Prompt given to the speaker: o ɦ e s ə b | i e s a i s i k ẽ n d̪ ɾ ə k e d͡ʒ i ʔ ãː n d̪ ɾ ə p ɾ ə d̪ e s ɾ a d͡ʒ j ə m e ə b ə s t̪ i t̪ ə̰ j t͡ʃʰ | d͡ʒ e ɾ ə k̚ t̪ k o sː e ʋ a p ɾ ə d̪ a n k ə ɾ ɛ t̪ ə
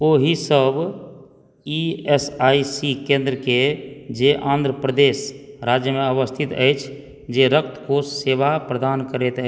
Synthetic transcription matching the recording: o ɦ i s ə b | i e s a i s i k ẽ n d̪ ɾ ə k e d͡ʒ e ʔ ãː n d̪ ɾ ə p ɾ ə d̪ e s ɾ a d͡ʒ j ə m e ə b ə s t̪ʰ i t̪ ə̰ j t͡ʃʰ | d͡ʒ e ɾ ə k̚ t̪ k o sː e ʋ a p ɾ ə d̪ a n k ə ɾ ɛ t̪ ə